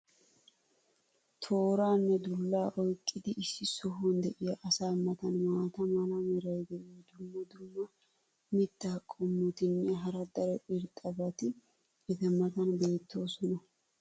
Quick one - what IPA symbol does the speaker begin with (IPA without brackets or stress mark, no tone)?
t̪ʰ